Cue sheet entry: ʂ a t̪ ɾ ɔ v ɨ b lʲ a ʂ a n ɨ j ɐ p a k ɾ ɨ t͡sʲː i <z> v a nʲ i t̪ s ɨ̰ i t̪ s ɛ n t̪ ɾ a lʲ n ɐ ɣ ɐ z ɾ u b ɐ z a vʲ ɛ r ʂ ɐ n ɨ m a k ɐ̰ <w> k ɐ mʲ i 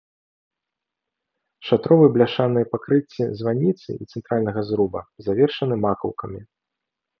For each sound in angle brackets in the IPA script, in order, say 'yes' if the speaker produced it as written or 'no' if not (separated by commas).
yes, yes